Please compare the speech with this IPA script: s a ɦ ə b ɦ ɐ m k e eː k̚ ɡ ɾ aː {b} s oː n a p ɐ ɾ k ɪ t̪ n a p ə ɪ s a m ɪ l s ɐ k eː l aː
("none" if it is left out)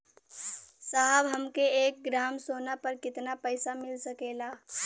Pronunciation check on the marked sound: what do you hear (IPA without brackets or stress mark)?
m